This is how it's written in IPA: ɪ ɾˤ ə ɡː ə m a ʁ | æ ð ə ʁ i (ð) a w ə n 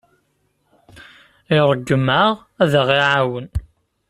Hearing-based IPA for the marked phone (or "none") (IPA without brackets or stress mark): ʕ